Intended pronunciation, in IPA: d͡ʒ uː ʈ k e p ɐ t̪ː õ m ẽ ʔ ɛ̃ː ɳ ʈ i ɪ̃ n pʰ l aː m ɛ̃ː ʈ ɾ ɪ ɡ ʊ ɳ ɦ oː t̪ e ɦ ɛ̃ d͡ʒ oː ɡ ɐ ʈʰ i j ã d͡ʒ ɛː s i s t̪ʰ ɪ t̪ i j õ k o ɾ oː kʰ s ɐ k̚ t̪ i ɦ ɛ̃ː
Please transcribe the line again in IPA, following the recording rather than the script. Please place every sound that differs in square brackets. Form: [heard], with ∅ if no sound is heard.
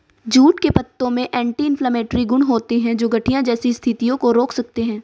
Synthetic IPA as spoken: d͡ʒ uː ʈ k e p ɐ t̪ː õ m ẽ ʔ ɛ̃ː ɳ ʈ i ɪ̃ n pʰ l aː m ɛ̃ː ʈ ɾ [i] ɡ ʊ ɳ ɦ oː t̪ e ɦ ɛ̃ d͡ʒ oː ɡ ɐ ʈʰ i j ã d͡ʒ ɛː s i s t̪ʰ ɪ t̪ i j õ k o ɾ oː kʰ s ɐ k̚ t̪ [e] ɦ ɛ̃ː